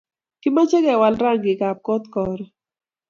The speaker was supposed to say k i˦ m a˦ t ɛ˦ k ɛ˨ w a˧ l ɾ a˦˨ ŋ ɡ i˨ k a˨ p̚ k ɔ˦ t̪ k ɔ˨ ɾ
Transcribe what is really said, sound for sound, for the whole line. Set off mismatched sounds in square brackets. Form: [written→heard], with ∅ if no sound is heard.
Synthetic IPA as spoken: k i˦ m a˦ [t→t͡ʃ] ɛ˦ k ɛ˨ w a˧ l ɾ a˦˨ ŋ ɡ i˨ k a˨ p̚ k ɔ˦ t̪ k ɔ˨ ɾ